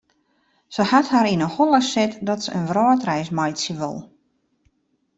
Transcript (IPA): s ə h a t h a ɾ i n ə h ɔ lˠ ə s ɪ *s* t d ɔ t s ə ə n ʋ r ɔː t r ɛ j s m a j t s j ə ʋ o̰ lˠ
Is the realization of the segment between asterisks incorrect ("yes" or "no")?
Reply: yes